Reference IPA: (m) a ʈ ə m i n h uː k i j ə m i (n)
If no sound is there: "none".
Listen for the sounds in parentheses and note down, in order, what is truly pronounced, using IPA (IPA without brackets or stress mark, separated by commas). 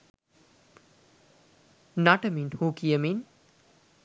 n, n